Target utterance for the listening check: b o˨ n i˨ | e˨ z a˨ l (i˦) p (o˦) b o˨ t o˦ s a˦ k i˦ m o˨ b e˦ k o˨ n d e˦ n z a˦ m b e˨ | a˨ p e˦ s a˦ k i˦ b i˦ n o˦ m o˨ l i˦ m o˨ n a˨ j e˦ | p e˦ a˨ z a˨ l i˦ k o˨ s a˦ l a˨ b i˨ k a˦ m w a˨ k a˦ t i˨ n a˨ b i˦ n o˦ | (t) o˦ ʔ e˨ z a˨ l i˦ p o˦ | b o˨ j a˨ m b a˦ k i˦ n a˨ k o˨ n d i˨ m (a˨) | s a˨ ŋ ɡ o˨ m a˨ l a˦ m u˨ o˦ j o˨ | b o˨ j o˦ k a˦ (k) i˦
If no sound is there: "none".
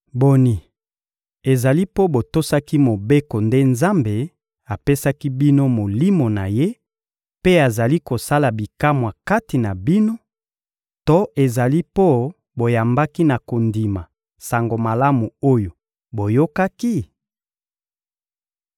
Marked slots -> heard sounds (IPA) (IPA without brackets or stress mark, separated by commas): i˦, o˦, t, a˨, k